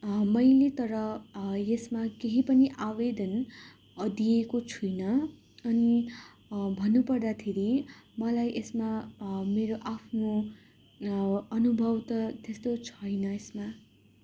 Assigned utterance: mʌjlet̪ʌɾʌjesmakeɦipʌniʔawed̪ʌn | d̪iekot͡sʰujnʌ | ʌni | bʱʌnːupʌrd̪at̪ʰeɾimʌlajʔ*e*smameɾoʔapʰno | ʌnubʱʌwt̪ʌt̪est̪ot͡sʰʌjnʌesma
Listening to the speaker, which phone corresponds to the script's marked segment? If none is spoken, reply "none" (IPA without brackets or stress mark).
e